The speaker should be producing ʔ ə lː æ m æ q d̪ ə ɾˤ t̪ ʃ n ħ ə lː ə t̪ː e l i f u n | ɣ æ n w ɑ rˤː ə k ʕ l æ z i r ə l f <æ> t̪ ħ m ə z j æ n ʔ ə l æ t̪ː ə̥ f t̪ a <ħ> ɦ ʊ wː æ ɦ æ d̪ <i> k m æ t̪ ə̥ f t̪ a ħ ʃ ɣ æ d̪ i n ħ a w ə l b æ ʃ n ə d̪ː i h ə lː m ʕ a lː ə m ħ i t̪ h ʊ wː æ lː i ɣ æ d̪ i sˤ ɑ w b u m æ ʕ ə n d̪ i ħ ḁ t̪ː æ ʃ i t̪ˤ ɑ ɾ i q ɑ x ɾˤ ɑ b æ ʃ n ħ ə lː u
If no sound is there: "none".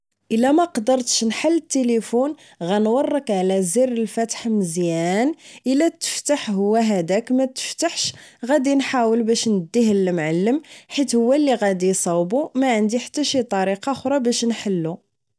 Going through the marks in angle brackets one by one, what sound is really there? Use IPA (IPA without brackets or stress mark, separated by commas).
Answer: æ, ħ, æ